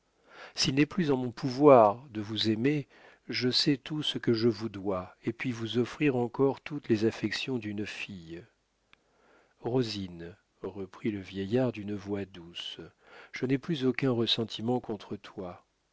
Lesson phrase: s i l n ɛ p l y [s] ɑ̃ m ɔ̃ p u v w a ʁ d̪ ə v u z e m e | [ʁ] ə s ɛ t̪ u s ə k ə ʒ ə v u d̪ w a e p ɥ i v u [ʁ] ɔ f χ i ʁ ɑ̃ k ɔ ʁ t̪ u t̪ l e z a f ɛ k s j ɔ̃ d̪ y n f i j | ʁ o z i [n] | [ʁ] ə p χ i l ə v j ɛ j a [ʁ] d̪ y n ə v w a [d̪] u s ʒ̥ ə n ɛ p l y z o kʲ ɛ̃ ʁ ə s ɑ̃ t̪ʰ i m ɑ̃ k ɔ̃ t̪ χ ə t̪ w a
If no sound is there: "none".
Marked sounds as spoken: z, ʒ, z, n, ʁ, ʁ, d̪

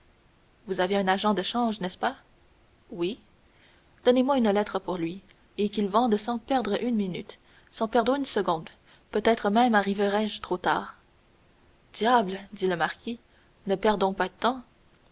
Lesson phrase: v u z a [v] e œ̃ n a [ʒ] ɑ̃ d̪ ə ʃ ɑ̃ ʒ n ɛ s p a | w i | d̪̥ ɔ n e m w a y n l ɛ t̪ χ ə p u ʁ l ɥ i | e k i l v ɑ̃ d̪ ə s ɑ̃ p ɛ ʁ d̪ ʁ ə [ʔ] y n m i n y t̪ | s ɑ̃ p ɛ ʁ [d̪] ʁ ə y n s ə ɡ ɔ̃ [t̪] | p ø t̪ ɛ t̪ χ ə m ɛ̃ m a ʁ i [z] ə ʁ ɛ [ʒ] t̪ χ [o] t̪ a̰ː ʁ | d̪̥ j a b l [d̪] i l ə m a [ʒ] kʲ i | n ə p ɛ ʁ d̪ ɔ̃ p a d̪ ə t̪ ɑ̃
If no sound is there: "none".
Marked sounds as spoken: v, ʒ, ʔ, d̪, d̪, v, ʒ, o, d̪, ʁ

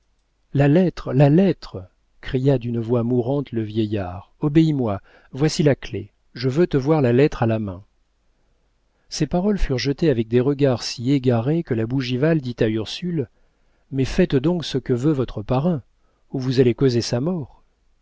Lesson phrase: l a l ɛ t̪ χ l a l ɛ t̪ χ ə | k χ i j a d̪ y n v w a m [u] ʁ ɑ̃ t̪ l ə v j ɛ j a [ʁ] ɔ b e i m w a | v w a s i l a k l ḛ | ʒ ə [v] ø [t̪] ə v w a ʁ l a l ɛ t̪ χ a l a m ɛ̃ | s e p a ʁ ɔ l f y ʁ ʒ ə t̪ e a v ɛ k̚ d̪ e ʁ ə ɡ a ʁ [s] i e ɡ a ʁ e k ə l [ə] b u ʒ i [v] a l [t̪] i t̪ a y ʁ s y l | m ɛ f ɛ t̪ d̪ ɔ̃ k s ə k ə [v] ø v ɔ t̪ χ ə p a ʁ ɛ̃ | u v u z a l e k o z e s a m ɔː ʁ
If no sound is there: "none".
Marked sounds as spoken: u, ʁ, v, t̪, s, a, v, d̪, v

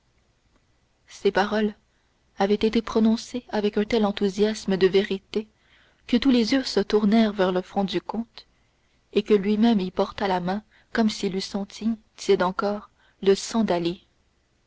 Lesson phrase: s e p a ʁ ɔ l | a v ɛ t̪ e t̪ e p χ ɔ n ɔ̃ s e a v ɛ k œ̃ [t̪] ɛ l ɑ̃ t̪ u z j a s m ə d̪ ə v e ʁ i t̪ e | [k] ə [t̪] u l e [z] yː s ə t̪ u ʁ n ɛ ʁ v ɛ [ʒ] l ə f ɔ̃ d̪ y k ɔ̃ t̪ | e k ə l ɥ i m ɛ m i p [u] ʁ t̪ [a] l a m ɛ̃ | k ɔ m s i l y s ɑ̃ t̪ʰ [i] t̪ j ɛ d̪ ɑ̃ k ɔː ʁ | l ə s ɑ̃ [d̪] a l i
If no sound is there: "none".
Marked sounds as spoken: t̪, k, t̪, z, ʁ, ɔ, a, i, d̪

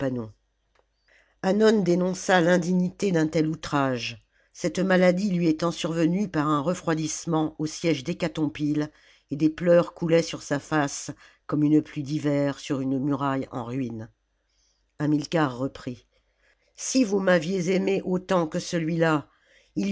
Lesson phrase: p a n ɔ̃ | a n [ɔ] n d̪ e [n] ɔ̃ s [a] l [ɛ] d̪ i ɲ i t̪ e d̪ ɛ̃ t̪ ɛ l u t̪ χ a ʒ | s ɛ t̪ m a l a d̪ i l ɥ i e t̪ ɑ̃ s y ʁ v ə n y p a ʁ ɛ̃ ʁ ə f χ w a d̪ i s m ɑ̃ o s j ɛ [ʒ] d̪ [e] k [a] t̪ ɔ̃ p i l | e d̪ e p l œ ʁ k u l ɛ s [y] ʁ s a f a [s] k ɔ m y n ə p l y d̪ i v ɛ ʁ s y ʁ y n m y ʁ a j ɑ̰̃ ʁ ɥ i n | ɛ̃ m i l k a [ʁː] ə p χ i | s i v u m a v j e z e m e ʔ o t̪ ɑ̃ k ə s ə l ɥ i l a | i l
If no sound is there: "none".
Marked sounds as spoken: ɔ, n, a, ɛ̃, ʒ, e, a, y, s, ʁː

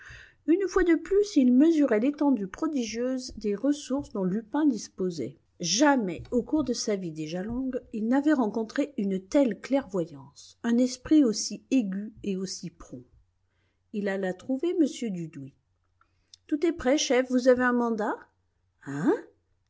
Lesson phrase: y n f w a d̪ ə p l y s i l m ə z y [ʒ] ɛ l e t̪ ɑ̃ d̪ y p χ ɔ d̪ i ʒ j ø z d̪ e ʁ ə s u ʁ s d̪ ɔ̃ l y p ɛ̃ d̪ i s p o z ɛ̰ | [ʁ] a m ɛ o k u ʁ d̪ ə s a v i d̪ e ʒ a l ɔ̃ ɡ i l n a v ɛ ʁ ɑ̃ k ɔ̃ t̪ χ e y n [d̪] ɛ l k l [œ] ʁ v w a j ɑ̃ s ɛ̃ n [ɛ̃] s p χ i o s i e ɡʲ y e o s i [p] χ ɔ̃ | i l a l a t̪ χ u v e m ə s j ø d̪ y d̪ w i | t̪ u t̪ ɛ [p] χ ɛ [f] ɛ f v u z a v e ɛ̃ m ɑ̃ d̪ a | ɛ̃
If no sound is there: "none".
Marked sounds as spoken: ʁ, ʒ, t̪, ɛ, ɛ, p, p, ʃ

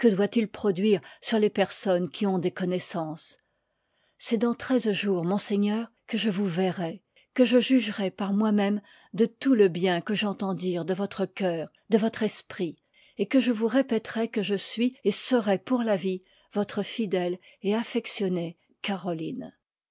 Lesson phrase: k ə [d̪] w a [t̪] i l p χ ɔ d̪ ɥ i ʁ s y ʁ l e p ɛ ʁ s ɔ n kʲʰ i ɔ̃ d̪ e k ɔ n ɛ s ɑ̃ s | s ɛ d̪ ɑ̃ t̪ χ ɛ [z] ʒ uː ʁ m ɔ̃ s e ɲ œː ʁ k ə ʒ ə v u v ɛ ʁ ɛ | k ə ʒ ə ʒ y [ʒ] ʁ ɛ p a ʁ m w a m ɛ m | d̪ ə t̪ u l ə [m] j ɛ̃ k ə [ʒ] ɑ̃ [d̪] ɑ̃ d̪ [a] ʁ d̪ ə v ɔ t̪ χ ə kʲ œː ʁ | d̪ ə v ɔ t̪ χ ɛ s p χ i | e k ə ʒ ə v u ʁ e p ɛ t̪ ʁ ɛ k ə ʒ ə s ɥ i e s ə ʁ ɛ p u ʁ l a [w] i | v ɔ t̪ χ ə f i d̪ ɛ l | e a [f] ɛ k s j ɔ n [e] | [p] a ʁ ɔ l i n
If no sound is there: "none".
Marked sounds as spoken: d̪, t̪, z, ʒ, b, ʒ, t̪, i, v, f, e, k

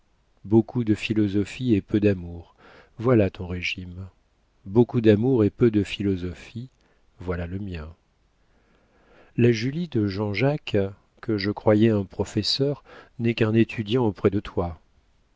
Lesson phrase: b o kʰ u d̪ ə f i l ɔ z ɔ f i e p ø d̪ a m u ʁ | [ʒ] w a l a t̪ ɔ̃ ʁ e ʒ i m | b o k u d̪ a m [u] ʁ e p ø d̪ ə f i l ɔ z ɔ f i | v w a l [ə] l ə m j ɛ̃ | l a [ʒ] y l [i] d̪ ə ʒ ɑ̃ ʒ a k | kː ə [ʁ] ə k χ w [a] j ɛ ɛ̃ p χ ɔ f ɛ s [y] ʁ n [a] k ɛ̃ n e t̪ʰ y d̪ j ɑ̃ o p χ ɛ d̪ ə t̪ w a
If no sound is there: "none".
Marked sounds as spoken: v, u, a, ʒ, i, ʒ, a, œ, ɛ

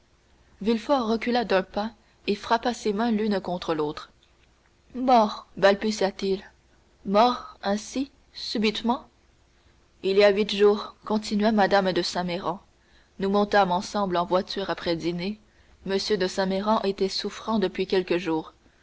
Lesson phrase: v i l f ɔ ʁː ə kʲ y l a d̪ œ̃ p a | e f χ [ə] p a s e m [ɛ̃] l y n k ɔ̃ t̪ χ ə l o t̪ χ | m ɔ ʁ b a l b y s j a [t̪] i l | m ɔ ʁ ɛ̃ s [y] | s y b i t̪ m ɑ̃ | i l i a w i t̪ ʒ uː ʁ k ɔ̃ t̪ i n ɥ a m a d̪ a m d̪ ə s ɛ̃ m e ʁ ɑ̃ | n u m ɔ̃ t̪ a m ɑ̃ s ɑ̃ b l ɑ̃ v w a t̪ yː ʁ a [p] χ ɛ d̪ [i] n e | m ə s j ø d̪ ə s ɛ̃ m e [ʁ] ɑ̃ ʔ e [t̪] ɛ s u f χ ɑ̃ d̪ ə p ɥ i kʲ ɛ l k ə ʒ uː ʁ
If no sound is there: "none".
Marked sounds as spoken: a, ɛ̃, t̪, i, p, i, ʁ, t̪

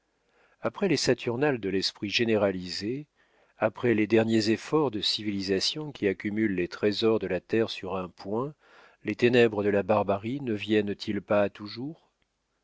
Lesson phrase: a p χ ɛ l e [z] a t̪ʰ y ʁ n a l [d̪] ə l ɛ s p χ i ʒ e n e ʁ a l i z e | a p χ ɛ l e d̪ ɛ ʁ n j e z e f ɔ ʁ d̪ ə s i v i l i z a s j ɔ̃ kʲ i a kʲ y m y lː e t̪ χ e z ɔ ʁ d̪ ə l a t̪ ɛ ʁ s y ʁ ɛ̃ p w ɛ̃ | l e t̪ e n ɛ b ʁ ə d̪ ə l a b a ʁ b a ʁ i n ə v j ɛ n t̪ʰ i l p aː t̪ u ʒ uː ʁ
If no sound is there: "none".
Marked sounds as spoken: s, d̪

